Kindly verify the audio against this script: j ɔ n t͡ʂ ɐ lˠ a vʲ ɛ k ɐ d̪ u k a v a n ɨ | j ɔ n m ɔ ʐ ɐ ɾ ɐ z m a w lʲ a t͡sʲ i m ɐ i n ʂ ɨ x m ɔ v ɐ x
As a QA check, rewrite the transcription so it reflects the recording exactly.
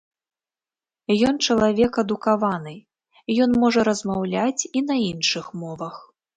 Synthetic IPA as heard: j ɔ n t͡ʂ ɐ lˠ a vʲ ɛ k ɐ d̪ u k a v a n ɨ | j ɔ n m ɔ ʐ ɐ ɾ ɐ z m a w lʲ a t͡sʲ i n ɐ i n ʂ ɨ x m ɔ v ɐ x

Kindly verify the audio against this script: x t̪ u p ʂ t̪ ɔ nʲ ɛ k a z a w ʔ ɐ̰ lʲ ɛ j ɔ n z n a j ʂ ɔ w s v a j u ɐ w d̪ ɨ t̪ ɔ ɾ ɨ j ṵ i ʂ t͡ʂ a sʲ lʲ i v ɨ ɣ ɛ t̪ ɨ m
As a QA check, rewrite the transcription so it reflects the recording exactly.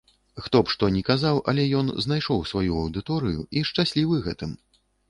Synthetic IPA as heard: x t̪ ɔ p ʂ t̪ ɔ nʲ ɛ k a z a w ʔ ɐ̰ lʲ ɛ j ɔ n z n a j ʂ ɔ w s v a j u ɐ w d̪ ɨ t̪ ɔ ɾ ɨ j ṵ i ʂ t͡ʂ a sʲ lʲ i v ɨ ɣ ɛ t̪ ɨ m

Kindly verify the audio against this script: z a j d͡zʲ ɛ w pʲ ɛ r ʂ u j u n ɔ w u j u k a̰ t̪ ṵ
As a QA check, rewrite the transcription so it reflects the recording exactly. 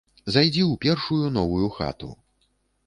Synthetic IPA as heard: z a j d͡zʲ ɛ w pʲ ɛ r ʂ u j u n ɔ v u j u x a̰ t̪ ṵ

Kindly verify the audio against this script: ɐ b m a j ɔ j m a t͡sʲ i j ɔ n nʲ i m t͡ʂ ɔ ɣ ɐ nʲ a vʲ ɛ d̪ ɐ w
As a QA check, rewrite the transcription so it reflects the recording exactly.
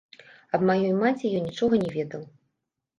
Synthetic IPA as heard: ɐ b m a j ɔ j m a t͡sʲ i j ɔ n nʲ i t͡ʂ ɔ ɣ ɐ nʲ ɛ vʲ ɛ d̪ ɐ w

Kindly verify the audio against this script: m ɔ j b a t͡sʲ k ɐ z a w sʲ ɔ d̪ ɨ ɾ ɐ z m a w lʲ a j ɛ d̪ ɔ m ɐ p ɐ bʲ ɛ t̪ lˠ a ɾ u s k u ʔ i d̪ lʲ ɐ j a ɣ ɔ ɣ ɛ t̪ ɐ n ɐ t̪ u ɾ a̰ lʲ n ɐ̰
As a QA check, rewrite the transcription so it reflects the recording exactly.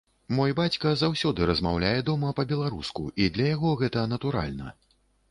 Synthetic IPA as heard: m ɔ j b a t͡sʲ k ɐ z a w sʲ ɔ d̪ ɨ ɾ ɐ z m a w lʲ a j ɛ d̪ ɔ m ɐ p ɐ bʲ ɛ lˠ a ɾ u s k u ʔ i d̪ lʲ ɐ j a ɣ ɔ ɣ ɛ t̪ ɐ n ɐ t̪ u ɾ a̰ lʲ n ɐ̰

